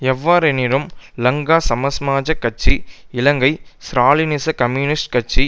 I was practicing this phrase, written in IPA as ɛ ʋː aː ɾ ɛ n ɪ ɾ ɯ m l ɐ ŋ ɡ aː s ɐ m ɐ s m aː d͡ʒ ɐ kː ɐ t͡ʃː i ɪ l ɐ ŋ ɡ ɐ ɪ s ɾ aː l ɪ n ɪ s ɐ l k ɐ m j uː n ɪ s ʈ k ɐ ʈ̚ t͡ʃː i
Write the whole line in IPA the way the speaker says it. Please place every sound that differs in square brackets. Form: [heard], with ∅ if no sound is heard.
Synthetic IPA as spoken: ɛ ʋː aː ɾ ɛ n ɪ ɾ ɯ m l ɐ ŋ ɡ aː s ɐ m ɐ s m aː d͡ʒ ɐ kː ɐ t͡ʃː i ɪ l ɐ ŋ ɡ ɐ ɪ s ɾ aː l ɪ n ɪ s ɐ [∅] k ɐ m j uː n ɪ s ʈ k ɐ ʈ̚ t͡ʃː i